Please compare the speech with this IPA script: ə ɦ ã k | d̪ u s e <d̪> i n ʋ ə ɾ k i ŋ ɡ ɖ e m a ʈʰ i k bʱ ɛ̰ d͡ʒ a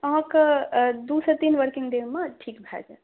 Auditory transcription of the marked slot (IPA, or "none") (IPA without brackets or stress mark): t̪